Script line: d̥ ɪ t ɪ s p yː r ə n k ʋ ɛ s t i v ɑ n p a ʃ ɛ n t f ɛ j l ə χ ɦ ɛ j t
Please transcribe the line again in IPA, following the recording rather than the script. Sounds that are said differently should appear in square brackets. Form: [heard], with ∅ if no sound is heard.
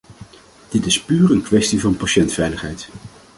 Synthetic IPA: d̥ ɪ t ɪ s p yː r ə n k ʋ ɛ s t i v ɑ n p a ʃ ɛ n t f ɛ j l ə χ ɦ ɛ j t

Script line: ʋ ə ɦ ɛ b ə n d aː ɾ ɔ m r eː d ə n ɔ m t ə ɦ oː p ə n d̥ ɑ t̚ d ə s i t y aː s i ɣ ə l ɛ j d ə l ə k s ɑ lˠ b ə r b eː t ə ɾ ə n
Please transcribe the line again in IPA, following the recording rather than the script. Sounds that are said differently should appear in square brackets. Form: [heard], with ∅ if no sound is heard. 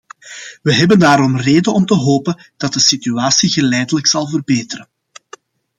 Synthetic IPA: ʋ ə ɦ ɛ b ə n d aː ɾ ɔ m r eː d ə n ɔ m t ə ɦ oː p ə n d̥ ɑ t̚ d ə s i t y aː s i ɣ ə l ɛ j d ə l ə k s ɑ lˠ [v] ə r b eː t ə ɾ ə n

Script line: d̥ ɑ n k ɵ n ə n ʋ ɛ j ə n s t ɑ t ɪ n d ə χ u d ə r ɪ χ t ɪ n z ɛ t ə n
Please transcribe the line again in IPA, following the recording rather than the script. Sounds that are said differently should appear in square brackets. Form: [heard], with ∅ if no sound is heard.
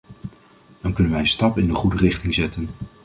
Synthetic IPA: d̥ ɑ n k ɵ n ə n ʋ ɛ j ə n s t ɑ [p] ɪ n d ə χ u d ə r ɪ χ t ɪ [ŋ] z ɛ t ə n

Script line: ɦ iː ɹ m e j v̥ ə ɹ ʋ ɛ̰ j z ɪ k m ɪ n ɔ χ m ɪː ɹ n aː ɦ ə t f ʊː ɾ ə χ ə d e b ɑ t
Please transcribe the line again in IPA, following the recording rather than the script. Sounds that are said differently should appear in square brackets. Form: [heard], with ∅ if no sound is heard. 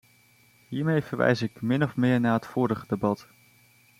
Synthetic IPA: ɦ iː ɹ m e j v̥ ə ɹ ʋ ɛ̰ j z ɪ k m ɪ n ɔ [f] m ɪː ɹ n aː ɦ ə t f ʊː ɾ ə χ ə d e b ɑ t

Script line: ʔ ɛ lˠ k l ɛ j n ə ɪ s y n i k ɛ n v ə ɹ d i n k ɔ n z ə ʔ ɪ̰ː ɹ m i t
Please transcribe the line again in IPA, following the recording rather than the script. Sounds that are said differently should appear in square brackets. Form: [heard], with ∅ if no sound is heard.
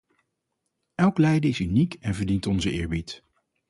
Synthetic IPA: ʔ ɛ lˠ k l ɛ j [d] ə ɪ s y n i k ɛ n v ə ɹ d i n [t] ɔ n z ə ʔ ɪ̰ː ɹ [b] i t

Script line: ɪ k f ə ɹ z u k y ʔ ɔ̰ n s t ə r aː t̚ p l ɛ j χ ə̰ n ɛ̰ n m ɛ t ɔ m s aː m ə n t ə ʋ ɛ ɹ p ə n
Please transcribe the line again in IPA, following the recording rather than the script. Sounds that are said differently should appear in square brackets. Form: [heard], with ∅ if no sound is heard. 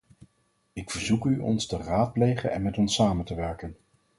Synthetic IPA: ɪ k f ə ɹ z u k y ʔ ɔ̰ n s t ə r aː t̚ p l [e] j χ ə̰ n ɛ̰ n m ɛ t ɔ [n] s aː m ə n t ə ʋ ɛ ɹ [k] ə n

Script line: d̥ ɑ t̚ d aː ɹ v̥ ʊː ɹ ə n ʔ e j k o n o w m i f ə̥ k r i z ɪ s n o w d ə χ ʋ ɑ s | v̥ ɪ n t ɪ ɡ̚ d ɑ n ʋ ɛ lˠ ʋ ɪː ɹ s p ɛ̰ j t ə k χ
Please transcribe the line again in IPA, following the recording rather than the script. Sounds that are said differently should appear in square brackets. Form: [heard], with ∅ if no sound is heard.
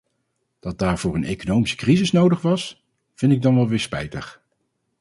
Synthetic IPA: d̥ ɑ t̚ d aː ɹ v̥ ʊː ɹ ə n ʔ e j k o n o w m i [s] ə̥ k r i z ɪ s n o w d ə χ ʋ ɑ s | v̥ ɪ n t ɪ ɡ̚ d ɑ n ʋ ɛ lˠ ʋ ɪː ɹ s p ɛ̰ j t ə [∅] χ

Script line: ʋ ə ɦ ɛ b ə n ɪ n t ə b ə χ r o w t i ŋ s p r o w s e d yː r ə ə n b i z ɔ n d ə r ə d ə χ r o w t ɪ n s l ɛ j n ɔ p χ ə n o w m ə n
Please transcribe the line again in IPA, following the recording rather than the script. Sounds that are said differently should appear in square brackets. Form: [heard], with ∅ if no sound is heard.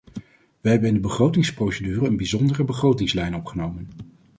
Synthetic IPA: ʋ ə ɦ ɛ b ə n ɪ n [d] ə b ə χ r o w t [ɪ] ŋ s p r o w s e d yː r ə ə n b i z ɔ n d ə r ə [b] ə χ r o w t ɪ [ŋ] s l ɛ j n ɔ p χ ə n o w m ə n

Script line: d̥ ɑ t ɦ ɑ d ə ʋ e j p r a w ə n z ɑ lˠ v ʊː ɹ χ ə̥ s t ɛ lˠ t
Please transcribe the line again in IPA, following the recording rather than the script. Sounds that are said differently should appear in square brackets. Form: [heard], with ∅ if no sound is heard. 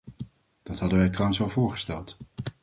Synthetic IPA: d̥ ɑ t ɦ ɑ d ə ʋ [ɛ] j [t] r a w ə n [s] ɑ lˠ v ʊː ɹ χ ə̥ s t ɛ lˠ t

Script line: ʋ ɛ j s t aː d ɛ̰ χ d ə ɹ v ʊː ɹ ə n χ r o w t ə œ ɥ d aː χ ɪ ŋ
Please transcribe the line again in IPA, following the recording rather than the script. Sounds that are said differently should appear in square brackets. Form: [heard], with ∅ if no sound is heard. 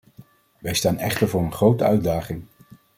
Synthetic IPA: ʋ ɛ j s t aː [n] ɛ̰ χ [t] ə ɹ v ʊː ɹ ə n χ r o w t ə œ ɥ d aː χ ɪ ŋ

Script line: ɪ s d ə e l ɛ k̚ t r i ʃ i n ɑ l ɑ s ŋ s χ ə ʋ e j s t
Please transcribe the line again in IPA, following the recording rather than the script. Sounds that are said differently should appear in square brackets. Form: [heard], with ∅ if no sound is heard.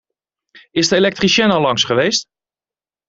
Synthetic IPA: ɪ s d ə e l ɛ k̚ t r i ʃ [ɛ] n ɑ l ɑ [∅] ŋ s χ ə ʋ e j s t

